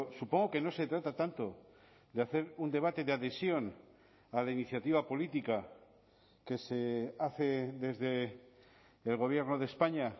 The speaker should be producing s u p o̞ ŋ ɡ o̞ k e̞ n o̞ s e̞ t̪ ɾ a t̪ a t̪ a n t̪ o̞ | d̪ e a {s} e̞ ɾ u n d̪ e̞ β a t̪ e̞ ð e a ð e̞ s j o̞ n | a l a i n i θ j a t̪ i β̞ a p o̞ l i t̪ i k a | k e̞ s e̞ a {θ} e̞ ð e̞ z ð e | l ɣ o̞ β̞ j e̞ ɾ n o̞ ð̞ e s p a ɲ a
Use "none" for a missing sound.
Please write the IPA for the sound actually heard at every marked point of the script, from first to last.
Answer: θ, θ

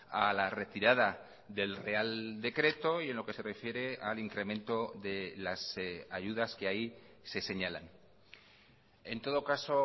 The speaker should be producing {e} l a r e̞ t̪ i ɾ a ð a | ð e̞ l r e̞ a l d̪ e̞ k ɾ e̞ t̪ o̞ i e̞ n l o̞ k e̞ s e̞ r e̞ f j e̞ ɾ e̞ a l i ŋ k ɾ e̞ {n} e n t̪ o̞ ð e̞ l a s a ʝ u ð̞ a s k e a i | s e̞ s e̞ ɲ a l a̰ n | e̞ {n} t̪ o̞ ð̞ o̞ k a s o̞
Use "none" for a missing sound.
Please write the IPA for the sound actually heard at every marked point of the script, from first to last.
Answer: a, m, n

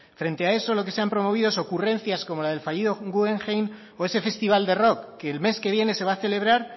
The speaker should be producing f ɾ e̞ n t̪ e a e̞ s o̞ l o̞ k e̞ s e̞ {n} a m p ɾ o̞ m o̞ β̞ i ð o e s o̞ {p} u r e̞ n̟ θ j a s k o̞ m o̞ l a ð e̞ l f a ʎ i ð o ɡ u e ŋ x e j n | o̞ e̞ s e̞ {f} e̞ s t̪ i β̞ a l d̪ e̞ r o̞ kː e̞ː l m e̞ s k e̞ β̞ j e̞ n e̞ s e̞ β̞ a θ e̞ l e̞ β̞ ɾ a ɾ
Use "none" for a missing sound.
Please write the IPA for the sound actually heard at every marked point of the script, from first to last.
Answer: none, k, f

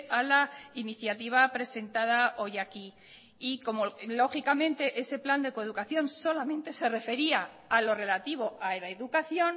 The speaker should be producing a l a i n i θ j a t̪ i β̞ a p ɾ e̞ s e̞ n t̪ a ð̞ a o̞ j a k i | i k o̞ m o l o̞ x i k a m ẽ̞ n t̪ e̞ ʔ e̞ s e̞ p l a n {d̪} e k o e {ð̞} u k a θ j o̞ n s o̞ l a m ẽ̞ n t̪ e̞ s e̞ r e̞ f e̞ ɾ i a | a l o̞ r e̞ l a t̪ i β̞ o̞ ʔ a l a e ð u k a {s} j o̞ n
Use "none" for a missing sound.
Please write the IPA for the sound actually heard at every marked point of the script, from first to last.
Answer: d̪, ð̞, θ

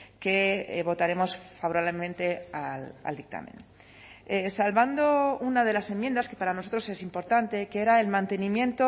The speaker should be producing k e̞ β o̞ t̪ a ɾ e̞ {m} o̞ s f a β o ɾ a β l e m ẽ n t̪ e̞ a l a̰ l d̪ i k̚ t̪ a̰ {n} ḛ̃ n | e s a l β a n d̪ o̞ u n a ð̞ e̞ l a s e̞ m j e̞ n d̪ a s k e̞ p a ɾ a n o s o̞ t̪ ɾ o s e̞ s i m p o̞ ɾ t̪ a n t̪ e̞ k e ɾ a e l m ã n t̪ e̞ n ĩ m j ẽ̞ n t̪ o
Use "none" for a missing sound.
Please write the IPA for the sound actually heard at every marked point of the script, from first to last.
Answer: m, m

